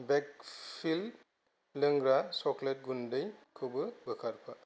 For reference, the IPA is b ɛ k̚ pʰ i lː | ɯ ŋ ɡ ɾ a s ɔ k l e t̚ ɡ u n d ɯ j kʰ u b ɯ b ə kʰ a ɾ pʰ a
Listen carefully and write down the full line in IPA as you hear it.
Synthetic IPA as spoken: b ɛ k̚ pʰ i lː | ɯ ŋ ɡ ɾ a s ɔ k l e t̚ ɡ u n d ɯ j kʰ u b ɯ b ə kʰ a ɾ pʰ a